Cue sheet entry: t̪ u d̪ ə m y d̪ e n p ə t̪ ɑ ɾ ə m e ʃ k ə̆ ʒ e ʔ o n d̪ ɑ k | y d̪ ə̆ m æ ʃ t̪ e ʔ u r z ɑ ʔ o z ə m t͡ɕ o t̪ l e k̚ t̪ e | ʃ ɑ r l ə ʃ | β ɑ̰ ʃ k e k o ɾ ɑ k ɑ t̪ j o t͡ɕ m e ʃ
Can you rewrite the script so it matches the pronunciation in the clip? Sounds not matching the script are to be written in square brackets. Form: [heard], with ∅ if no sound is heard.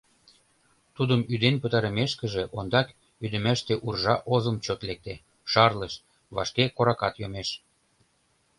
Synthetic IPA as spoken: t̪ u d̪ ə m y d̪ e n p ə t̪ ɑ ɾ ə m e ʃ k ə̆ ʒ e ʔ o n d̪ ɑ k | y d̪ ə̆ m æ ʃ t̪ e ʔ u r [ʒ] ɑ ʔ o z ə m t͡ɕ o t̪ l e k̚ t̪ e | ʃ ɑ r l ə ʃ | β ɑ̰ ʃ k e k o ɾ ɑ k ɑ t̪ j o [∅] m e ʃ